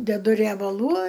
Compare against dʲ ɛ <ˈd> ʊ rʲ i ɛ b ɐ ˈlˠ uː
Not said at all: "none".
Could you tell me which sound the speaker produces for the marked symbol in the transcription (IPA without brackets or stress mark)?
d